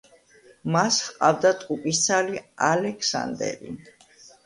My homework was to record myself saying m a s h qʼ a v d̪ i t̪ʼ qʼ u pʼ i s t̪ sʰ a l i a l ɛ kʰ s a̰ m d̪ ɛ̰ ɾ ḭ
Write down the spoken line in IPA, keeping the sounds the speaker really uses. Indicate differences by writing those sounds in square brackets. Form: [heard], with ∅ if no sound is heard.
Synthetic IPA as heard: m a s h qʼ a v d̪ [a] t̪ʼ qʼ u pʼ i s t̪ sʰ a l i a l ɛ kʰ s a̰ [n] d̪ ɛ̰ ɾ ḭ